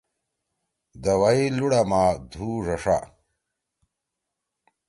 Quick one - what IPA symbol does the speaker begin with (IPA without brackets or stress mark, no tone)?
d̪